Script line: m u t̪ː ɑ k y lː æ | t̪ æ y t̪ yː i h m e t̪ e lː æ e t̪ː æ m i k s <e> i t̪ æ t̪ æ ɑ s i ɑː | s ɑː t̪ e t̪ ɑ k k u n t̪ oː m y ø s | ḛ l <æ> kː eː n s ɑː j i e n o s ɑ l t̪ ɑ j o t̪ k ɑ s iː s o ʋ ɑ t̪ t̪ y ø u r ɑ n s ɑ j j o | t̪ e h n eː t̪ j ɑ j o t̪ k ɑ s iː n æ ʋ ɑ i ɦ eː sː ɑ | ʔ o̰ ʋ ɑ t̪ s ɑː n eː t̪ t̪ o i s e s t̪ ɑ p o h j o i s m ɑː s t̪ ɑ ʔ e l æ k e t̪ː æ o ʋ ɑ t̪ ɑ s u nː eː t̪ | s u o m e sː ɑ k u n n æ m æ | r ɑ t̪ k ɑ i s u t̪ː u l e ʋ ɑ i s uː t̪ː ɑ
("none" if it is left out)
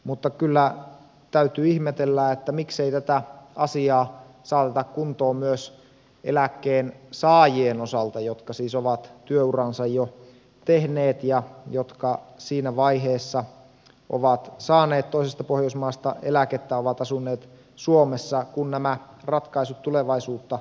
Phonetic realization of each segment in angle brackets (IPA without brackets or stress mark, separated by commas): e, æ